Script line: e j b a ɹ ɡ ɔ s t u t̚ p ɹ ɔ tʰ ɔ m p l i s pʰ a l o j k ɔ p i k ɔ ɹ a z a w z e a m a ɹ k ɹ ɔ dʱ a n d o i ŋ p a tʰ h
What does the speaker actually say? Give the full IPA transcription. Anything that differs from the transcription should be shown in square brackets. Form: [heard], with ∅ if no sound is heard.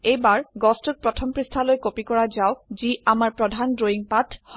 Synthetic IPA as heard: e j b a ɹ ɡ ɔ s t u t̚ p ɹ ɔ tʰ ɔ m p [ɹ] i s [tʰ] a l o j k [o] p i k ɔ ɹ a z a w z [i] a m a ɹ [p] ɹ ɔ dʱ a n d o i ŋ p a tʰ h